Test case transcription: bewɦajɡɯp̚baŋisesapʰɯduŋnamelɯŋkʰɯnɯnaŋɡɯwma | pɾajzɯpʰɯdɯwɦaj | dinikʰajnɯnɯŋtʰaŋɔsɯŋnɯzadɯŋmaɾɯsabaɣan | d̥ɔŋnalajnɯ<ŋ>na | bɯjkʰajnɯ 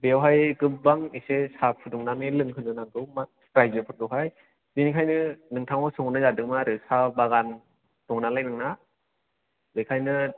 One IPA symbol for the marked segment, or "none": ŋ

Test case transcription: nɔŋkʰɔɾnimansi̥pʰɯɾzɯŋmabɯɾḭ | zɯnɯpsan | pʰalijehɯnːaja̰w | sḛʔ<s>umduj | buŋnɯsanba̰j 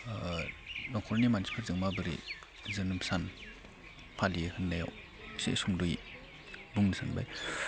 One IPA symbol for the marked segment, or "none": s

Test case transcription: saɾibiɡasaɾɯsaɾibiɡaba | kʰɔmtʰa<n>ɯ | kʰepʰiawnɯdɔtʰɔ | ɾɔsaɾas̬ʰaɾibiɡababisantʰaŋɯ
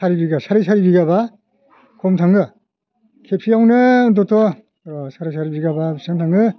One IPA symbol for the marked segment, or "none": ŋ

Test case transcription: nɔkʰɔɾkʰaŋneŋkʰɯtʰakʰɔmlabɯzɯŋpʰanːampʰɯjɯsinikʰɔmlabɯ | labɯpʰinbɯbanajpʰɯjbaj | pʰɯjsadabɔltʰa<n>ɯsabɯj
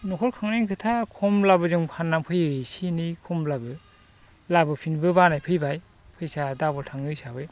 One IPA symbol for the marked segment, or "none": ŋ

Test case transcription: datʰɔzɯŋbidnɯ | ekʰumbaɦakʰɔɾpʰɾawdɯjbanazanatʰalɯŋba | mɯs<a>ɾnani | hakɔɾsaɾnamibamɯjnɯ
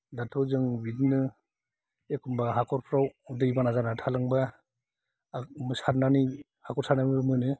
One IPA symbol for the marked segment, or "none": a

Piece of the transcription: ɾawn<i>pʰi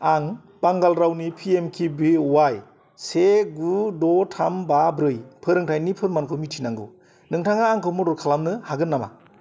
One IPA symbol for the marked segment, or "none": i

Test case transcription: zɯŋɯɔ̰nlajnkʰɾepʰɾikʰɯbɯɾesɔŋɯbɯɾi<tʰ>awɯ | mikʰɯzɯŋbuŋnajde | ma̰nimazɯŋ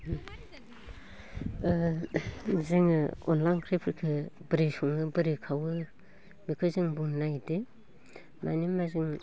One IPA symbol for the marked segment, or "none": kʰ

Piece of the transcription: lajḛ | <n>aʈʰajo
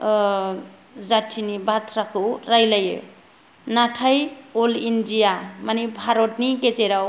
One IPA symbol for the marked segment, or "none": n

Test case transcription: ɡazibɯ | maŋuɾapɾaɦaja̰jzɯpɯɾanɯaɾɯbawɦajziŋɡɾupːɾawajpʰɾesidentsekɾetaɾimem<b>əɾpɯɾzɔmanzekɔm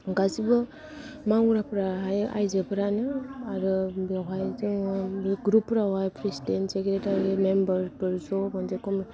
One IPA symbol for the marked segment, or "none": b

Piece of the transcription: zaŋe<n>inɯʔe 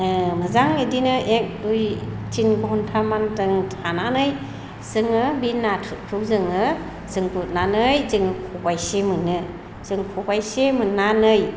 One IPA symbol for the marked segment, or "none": d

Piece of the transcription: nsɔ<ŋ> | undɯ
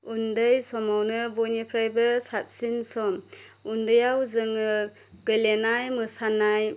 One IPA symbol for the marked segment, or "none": m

